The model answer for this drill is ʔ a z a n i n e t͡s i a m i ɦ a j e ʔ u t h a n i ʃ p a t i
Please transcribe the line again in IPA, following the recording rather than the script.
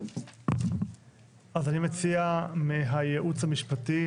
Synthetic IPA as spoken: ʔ a z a n i m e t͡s i a m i ɦ a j e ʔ u t͡s h a m i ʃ p a t i